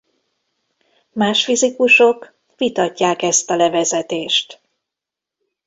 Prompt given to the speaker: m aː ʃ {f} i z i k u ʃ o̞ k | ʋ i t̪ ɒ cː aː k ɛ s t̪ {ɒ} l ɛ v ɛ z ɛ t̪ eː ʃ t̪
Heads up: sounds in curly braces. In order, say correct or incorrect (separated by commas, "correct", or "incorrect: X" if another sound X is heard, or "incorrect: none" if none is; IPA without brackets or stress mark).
correct, correct